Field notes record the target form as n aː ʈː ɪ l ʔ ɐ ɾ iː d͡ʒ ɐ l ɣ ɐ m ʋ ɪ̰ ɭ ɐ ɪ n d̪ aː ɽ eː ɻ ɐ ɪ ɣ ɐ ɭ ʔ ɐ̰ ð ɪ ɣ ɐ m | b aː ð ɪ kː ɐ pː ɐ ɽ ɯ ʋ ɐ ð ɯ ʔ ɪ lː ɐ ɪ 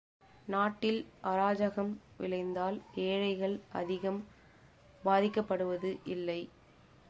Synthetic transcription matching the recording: n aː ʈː ɪ l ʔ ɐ ɾ aː d͡ʒ ɐ ɣ ɐ m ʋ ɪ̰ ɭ ɐ ɪ n d̪ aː l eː ɻ ɐ ɪ ɣ ɐ ɭ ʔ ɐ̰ ð ɪ ɣ ɐ m | b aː ð ɪ kː ɐ pː ɐ ɽ ɯ ʋ ɐ ð ɯ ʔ ɪ lː ɐ ɪ